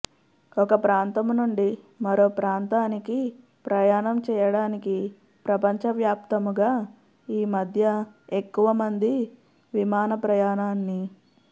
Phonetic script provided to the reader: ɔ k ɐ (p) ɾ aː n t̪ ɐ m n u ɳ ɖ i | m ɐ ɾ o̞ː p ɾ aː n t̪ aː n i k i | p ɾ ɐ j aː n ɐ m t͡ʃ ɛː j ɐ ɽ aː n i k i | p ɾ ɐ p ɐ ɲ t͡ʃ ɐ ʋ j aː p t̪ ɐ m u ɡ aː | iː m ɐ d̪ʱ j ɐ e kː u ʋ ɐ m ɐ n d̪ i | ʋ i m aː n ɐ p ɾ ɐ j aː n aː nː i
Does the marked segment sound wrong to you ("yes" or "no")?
no